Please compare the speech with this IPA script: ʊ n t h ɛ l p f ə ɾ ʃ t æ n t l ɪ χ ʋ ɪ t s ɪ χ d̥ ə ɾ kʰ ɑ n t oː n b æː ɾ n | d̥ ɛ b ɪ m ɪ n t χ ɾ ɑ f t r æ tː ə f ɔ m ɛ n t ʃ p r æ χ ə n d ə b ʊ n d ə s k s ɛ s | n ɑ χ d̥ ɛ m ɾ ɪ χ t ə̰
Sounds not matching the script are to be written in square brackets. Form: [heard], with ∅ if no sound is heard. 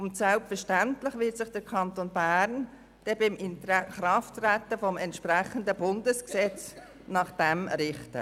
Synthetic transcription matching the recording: ʊ n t [s] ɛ l p f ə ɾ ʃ t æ n t l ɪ χ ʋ ɪ t s ɪ χ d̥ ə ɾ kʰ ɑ n t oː n b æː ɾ n | d̥ ɛ b ɪ m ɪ n t χ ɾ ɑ f t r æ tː ə f ɔ m ɛ n t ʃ p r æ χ ə n d ə b ʊ n d ə s k s ɛ [t͡s] | n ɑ χ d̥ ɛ m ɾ ɪ χ t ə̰